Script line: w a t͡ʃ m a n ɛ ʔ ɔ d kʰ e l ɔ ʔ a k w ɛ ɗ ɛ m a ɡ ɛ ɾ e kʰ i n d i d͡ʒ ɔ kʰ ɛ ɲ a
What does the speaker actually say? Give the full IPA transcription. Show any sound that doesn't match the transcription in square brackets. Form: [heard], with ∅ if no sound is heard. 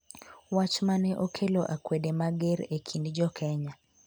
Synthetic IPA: w a t͡ʃ m a n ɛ ʔ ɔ [∅] kʰ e l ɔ ʔ a k w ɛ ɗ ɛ m a ɡ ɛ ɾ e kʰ i n d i d͡ʒ ɔ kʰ ɛ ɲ a